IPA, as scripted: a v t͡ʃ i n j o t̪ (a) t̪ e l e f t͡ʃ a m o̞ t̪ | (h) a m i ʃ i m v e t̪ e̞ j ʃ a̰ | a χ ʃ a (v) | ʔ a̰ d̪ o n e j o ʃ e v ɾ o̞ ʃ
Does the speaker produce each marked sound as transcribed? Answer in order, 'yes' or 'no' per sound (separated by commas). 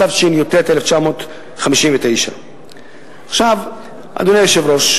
no, no, yes